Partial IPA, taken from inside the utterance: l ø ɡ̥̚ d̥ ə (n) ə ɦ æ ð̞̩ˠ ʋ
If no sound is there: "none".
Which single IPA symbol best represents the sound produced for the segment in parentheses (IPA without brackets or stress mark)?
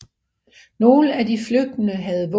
n